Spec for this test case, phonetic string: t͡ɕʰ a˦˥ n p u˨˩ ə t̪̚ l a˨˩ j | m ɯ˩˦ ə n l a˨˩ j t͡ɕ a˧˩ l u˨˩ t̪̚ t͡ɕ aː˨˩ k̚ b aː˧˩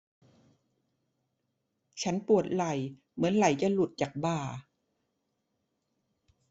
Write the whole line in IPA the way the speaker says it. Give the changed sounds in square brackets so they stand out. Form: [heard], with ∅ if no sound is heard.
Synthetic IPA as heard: t͡ɕʰ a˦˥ n p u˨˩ ə t̪̚ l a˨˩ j | m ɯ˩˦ ə n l a˨˩ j t͡ɕ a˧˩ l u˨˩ t̪̚ t͡ɕ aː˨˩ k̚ b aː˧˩